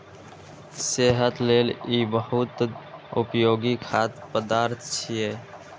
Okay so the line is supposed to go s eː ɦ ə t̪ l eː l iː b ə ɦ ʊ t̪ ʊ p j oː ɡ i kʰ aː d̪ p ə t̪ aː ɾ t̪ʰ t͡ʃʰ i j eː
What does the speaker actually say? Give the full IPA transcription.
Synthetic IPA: s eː ɦ ə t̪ l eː l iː b ə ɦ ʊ t̪ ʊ p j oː ɡ i kʰ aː t̪ p ə d̪ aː ɾ t̪ʰ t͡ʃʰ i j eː